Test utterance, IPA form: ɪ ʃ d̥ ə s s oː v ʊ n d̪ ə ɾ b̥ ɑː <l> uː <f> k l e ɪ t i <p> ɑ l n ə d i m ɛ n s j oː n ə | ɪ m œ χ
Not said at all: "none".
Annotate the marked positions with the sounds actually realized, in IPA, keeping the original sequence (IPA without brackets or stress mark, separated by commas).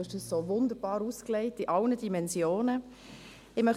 ɾ, s, ʔ